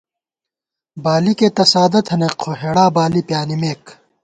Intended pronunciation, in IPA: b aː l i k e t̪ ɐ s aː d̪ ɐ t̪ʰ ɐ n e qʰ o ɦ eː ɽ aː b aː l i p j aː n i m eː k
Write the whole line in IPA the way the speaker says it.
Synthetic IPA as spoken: b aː l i k e t̪ ɐ s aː d̪ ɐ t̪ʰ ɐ n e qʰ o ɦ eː ɽ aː b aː l i p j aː n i m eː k